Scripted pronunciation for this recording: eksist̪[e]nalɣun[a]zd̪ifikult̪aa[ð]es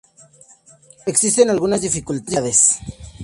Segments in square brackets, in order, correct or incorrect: correct, correct, correct

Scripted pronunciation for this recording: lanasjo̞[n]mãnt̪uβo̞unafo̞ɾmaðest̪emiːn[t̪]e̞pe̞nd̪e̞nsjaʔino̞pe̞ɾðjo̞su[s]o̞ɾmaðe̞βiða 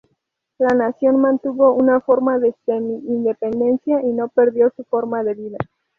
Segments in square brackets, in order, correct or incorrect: correct, incorrect: d̪, incorrect: f

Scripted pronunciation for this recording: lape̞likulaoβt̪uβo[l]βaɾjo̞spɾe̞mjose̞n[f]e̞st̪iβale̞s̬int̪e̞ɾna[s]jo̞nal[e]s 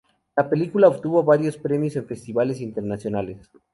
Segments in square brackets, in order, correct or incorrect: incorrect: none, correct, correct, correct

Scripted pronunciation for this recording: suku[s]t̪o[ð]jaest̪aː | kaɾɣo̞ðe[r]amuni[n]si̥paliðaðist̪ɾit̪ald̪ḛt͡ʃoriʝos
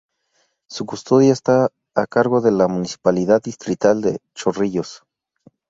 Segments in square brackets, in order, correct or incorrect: correct, correct, incorrect: l, incorrect: none

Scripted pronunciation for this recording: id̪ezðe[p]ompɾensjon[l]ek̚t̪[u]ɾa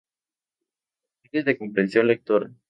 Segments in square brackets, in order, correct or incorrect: incorrect: k, correct, incorrect: o

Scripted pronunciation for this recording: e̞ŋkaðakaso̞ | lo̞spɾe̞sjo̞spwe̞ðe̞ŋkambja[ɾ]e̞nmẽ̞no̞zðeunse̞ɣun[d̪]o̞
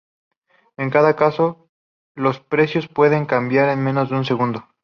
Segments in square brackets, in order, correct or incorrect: correct, correct

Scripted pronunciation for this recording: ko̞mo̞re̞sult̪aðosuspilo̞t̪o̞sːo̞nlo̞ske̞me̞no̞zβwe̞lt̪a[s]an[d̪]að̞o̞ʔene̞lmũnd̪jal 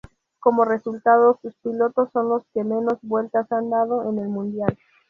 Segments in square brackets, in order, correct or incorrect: correct, correct

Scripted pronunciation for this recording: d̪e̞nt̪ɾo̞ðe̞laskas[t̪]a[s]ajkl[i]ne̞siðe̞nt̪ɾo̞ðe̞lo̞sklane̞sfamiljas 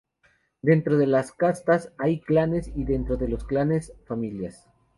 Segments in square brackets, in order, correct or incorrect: correct, correct, incorrect: a

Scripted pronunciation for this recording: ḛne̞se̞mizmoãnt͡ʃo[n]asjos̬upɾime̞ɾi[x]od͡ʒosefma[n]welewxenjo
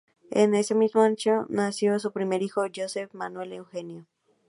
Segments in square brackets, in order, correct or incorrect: correct, correct, correct

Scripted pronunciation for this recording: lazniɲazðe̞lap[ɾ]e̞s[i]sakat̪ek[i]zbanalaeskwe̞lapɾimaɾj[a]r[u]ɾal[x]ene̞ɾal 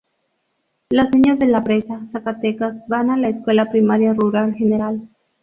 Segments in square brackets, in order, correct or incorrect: correct, incorrect: a, incorrect: a, correct, correct, correct

